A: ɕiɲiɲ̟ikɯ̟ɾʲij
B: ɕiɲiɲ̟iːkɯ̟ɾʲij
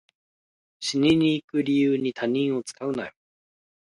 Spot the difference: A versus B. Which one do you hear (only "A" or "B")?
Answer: B